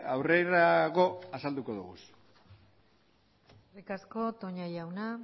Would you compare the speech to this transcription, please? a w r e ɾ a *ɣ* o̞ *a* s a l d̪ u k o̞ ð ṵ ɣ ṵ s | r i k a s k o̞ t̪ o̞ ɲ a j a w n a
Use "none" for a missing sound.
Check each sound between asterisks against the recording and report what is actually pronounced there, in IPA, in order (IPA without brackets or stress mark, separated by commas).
ɣ, a